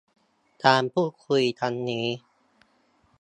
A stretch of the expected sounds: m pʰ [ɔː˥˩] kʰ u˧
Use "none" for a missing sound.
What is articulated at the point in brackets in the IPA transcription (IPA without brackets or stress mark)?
uː˥˩